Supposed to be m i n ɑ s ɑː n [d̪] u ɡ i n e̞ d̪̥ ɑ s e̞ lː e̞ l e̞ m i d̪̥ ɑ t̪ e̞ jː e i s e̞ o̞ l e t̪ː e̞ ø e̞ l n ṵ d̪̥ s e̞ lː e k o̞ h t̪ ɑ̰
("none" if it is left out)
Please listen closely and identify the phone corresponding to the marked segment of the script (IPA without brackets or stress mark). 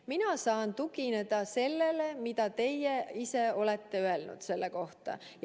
t̪